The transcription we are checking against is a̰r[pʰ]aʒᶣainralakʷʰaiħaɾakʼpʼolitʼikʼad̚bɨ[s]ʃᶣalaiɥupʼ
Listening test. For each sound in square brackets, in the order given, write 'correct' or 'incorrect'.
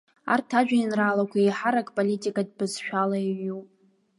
incorrect: tʰ, incorrect: z

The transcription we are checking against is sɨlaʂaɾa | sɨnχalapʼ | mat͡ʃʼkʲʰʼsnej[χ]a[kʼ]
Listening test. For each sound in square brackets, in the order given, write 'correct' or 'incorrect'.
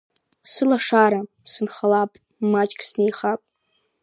correct, incorrect: pʼ

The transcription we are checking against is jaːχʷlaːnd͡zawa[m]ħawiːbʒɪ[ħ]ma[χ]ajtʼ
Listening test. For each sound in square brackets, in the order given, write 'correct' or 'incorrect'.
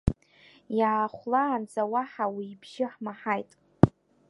incorrect: none, correct, incorrect: ħ

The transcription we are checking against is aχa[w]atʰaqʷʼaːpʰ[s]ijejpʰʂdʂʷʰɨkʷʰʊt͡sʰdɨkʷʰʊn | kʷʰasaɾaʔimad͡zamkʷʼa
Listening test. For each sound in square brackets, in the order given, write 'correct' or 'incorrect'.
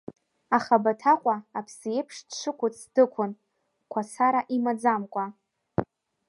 incorrect: b, correct

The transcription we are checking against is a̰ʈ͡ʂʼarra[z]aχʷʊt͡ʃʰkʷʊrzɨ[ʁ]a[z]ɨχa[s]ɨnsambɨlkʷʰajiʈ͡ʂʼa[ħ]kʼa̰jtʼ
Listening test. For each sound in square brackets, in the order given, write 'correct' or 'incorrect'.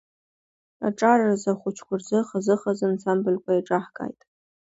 correct, incorrect: χ, correct, incorrect: z, correct

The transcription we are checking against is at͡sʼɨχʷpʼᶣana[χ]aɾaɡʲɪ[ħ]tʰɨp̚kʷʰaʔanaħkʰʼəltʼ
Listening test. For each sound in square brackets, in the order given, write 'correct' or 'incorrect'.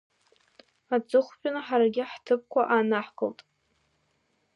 incorrect: ħ, correct

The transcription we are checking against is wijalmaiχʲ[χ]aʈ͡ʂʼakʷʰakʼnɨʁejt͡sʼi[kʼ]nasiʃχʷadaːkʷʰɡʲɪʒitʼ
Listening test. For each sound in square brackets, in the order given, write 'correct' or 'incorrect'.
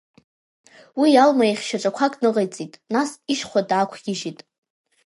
incorrect: ʃ, incorrect: tʼ

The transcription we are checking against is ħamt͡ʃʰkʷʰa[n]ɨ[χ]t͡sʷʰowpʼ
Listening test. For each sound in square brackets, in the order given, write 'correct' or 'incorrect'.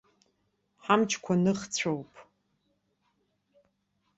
correct, correct

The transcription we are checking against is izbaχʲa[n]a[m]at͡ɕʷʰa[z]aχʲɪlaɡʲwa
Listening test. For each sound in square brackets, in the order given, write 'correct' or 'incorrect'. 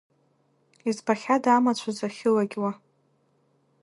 incorrect: d, correct, correct

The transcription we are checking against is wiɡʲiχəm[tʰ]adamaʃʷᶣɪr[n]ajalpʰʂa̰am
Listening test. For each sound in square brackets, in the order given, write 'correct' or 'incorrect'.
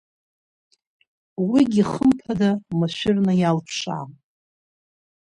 incorrect: pʰ, correct

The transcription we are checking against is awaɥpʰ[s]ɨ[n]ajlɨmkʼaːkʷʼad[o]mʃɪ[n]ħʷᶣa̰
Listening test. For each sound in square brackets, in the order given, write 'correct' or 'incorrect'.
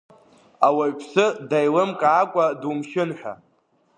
correct, incorrect: d, incorrect: u, correct

